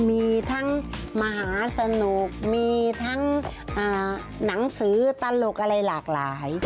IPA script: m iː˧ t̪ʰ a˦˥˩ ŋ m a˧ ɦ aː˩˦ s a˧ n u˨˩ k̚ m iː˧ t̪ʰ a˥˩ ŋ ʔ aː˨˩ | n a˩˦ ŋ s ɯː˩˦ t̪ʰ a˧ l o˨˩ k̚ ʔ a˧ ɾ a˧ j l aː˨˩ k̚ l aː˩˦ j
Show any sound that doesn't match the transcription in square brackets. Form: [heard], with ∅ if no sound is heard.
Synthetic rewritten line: m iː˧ t̪ʰ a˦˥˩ ŋ m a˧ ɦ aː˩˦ s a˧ n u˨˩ k̚ m iː˧ t̪ʰ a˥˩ ŋ ʔ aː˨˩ | n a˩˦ ŋ s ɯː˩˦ [t̪] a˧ l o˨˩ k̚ ʔ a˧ ɾ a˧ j l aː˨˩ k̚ l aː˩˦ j

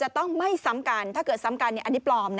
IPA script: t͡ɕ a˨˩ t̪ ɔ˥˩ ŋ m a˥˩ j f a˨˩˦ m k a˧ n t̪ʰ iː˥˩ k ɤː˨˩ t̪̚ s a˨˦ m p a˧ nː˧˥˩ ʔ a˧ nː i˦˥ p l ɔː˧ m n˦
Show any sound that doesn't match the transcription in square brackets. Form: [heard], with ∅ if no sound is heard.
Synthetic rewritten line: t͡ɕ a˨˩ t̪ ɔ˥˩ ŋ m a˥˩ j [s] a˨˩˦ m k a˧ n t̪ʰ [aː˥˩] k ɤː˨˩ t̪̚ s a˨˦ m [k] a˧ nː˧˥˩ ʔ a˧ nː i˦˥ p l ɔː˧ m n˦

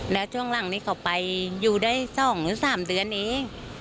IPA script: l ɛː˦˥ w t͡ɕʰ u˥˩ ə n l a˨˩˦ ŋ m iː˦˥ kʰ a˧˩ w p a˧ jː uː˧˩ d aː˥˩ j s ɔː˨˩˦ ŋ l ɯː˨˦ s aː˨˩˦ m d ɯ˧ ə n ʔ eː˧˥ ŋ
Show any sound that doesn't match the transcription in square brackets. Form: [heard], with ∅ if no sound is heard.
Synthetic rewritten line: l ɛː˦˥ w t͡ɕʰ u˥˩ ə [ŋ] l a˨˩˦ ŋ [n] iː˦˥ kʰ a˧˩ w p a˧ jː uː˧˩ d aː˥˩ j s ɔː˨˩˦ ŋ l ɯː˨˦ s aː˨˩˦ m d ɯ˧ ə n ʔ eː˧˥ ŋ

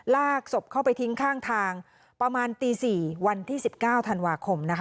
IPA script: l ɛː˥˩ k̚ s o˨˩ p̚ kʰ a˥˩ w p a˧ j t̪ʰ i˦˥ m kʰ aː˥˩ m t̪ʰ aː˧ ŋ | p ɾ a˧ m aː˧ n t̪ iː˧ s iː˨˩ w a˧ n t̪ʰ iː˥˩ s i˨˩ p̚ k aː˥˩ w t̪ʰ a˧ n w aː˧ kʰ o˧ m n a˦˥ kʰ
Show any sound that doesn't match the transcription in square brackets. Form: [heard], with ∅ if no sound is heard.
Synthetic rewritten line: l [aː˥˩] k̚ s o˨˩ p̚ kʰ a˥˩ w p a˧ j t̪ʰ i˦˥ [ŋ] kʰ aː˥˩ [ŋ] t̪ʰ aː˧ ŋ | p ɾ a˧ m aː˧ n t̪ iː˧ s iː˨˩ w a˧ n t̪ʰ iː˥˩ s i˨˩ p̚ k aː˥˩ w t̪ʰ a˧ n w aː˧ kʰ o˧ m n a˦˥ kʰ

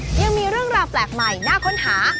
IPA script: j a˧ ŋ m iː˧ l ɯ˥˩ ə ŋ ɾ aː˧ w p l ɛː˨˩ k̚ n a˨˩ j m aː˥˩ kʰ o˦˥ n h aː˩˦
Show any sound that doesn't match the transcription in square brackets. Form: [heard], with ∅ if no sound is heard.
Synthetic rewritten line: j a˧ ŋ m iː˧ [ɾ] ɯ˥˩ ə ŋ ɾ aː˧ w p l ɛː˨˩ k̚ [m] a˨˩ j [n] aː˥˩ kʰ o˦˥ n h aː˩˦

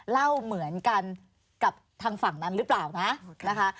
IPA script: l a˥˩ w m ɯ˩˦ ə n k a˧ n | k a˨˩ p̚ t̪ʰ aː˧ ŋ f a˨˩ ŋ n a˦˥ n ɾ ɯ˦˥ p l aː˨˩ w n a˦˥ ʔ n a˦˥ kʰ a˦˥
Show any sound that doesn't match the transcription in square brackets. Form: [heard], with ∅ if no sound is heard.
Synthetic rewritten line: l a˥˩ w m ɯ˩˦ ə n k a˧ n | k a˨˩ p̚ t̪ʰ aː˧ ŋ f a˨˩ ŋ n a˦˥ n ɾ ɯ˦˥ p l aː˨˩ w n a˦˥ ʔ n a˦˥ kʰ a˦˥

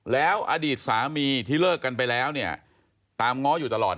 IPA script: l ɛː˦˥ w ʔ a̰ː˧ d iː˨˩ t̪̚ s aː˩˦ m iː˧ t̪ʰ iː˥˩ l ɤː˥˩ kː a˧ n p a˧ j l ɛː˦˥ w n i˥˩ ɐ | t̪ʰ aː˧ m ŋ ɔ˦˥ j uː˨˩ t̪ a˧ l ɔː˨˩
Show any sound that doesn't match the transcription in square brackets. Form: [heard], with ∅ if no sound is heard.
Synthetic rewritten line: l ɛː˦˥ w ʔ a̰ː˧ d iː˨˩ t̪̚ s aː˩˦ m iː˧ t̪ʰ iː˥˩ l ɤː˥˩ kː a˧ n p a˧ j l ɛː˦˥ w n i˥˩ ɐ | [t̪] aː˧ m ŋ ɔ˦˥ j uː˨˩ t̪ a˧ l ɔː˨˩

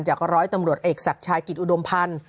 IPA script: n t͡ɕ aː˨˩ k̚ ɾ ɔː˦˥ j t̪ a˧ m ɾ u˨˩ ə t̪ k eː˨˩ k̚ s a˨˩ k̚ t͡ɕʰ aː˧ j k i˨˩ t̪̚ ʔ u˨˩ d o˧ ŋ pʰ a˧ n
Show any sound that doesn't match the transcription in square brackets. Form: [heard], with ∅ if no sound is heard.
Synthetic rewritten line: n t͡ɕ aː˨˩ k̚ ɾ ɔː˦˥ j t̪ a˧ m ɾ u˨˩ ə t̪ [ʔ] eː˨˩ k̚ s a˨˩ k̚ t͡ɕʰ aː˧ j k i˨˩ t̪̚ ʔ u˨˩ d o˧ [m] pʰ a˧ n

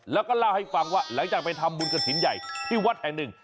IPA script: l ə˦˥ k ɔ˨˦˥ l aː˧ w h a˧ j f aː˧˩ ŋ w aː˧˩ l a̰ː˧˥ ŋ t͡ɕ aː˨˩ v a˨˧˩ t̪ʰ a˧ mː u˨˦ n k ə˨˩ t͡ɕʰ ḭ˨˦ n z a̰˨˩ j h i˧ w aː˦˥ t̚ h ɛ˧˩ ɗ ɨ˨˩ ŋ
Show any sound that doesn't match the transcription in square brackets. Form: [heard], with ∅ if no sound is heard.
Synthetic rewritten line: l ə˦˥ k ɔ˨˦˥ l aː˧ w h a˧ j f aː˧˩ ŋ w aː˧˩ l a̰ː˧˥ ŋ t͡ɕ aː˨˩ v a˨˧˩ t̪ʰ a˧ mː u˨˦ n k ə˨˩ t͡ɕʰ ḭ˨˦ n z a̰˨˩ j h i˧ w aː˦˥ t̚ h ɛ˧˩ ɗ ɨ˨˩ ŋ

